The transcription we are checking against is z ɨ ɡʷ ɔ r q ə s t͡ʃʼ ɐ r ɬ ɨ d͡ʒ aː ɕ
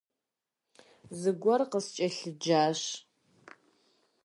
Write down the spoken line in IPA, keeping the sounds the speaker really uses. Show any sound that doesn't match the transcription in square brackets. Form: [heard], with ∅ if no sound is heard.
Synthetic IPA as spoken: z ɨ ɡʷ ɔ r q ə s t͡ʃʼ ɐ [∅] ɬ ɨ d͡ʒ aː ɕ

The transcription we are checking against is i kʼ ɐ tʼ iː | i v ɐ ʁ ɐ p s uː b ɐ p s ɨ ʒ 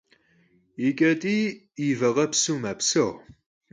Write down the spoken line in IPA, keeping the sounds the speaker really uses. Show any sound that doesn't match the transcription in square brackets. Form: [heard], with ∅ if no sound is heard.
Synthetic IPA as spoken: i kʼ ɐ tʼ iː | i v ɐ ʁ ɐ p s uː [m] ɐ p s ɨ [ʁ]

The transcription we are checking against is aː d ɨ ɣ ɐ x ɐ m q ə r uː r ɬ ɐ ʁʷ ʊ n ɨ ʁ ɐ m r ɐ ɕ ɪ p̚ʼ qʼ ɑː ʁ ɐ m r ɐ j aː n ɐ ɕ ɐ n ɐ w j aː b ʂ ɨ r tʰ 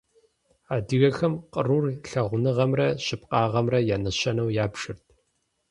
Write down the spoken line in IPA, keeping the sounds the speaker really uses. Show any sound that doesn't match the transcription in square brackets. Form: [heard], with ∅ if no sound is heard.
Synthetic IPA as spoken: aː d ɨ ɣ ɐ x ɐ m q ə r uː r ɬ ɐ ʁʷ ʊ n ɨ ʁ ɐ m r ɐ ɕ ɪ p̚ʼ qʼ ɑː ʁ ɐ m r ɐ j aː n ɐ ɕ ɐ n ɐ w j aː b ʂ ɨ r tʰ

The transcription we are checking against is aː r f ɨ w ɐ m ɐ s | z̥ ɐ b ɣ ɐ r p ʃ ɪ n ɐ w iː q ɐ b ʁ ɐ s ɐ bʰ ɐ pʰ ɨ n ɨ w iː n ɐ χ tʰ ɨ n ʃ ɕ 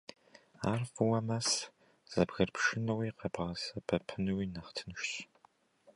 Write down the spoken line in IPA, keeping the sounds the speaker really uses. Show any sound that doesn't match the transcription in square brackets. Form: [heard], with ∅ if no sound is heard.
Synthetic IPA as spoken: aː r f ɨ w ɐ m ɐ s | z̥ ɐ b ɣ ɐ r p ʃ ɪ n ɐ w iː q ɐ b ʁ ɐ s ɐ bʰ ɐ pʰ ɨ n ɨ w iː n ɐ χ tʰ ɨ n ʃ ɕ

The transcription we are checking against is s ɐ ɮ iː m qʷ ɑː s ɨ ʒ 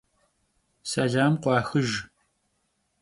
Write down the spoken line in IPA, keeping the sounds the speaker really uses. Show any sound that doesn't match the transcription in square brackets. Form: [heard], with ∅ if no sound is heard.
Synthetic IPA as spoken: s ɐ ɮ [aː] m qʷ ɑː [x] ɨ ʒ

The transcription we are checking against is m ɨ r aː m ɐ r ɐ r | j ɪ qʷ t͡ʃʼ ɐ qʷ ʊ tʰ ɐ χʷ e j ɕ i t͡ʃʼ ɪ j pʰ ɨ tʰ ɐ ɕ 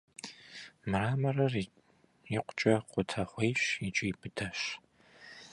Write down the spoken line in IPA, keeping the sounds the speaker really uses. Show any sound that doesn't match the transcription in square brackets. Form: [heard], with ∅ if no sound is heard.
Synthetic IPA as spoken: m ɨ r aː m ɐ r ɐ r | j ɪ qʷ t͡ʃʼ ɐ qʷ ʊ tʰ ɐ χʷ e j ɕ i t͡ʃʼ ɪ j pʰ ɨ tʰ ɐ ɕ

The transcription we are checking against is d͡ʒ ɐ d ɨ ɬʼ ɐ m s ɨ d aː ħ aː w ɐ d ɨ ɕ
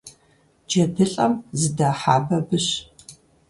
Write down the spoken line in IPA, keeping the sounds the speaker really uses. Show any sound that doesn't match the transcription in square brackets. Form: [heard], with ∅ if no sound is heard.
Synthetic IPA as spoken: d͡ʒ ɐ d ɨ ɬʼ ɐ m [z] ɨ d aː ħ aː [b] ɐ [b] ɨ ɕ

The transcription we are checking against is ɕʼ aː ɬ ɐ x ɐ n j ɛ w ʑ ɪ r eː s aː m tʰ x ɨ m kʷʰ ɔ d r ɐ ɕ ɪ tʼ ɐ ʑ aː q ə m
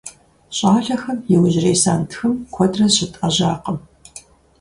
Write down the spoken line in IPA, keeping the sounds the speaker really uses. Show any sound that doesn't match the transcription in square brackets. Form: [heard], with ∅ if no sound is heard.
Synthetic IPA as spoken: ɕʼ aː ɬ ɐ x ɐ [m] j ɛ w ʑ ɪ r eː s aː [n] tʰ x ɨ m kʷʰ ɔ d r ɐ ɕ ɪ tʼ ɐ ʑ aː q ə m

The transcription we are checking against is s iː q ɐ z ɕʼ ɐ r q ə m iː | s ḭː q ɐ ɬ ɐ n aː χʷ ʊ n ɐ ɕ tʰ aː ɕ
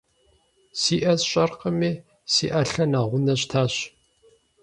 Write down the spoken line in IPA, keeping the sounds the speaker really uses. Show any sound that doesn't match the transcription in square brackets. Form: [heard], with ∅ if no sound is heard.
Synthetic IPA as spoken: s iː [ʔ] ɐ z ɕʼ ɐ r q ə m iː | s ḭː [ʔ] ɐ ɬ ɐ n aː [ʁʷ] ʊ n ɐ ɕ tʰ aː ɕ

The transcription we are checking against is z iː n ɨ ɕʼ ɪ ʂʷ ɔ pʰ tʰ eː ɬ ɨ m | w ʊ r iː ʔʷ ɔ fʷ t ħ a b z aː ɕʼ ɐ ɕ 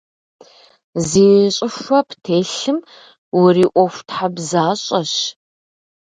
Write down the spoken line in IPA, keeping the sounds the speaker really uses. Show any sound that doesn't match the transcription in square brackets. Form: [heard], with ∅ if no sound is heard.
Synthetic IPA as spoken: z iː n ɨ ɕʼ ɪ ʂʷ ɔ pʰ tʰ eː ɬ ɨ m | w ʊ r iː ʔʷ ɔ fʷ t ħ a b z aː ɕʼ ɐ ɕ

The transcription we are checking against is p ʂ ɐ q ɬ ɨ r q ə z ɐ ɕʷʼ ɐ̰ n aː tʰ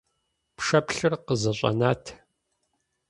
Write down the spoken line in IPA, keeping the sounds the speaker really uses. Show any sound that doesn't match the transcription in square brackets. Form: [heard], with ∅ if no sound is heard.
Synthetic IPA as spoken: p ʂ ɐ [p] ɬ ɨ r q ə z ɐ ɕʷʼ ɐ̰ n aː tʰ

